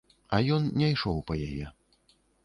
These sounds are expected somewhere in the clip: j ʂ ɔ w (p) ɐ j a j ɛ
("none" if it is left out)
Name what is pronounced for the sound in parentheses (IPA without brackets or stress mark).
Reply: p